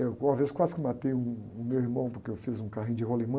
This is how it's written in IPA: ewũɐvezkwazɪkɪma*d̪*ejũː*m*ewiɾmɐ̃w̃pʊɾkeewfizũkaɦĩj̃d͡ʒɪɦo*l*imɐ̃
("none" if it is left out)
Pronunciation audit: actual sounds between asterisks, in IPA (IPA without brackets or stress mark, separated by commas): t̪, m, l